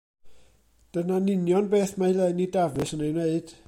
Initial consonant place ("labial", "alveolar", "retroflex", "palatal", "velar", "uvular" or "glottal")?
alveolar